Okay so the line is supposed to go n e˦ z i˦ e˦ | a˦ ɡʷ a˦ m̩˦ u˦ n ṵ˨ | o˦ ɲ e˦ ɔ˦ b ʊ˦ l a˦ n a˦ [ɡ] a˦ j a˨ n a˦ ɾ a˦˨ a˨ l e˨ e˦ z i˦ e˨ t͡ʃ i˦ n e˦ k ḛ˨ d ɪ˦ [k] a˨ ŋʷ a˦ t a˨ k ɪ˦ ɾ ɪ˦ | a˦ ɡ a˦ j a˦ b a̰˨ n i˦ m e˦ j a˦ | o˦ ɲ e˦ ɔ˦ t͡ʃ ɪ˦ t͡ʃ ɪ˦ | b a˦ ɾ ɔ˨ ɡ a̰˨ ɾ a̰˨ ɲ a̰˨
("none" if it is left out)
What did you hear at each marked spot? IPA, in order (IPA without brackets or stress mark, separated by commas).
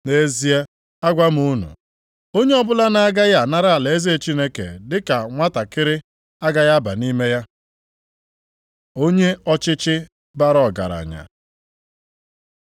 ɡ, k